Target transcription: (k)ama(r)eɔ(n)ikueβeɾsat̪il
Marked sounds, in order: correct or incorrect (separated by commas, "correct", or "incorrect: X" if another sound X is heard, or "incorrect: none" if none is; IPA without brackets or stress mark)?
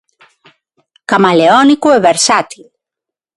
correct, incorrect: l, correct